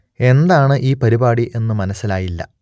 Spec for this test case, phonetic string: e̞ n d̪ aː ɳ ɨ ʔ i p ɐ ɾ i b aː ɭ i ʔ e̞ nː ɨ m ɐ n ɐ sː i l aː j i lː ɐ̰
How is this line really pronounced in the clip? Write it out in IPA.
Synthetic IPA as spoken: e̞ n d̪ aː ɳ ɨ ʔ iː p ɐ ɾ i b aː ɽ i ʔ e̞ nː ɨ m ɐ n ɐ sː i l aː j i lː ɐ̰